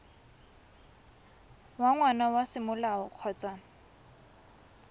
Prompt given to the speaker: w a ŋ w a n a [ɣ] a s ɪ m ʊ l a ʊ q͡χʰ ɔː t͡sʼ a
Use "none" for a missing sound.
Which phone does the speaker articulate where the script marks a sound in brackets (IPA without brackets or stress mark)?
w